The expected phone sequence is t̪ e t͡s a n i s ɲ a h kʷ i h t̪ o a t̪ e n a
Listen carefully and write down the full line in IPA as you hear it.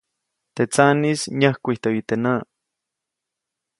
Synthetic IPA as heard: t̪ e t͡s a n i s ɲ a h kʷ i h t̪ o i t̪ e n a